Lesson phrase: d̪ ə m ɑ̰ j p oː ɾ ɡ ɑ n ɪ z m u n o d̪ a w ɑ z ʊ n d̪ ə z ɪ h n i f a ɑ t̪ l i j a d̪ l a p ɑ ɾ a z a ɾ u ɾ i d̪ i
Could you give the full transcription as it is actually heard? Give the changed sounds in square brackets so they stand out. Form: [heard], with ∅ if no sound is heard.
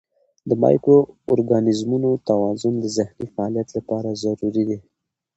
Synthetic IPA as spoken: d̪ ə m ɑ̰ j [k] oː ɾ ɡ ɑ n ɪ z m u n o [t̪] a w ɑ z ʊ n d̪ ə z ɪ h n i f a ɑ [∅] l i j a [t̪] l a p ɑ ɾ a z a ɾ u ɾ i d̪ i